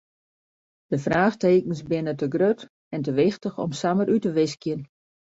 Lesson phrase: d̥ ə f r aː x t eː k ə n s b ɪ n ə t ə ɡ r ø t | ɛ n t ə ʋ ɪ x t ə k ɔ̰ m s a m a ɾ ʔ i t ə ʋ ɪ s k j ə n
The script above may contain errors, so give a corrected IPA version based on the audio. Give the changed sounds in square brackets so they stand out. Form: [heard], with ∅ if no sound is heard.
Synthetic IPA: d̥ ə f r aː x t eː k ə n s b ɪ n ə t ə ɡ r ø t | ɛ n t ə ʋ ɪ x t ə [x] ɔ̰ m s a m [ə] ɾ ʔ [y] t ə ʋ ɪ s k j ə n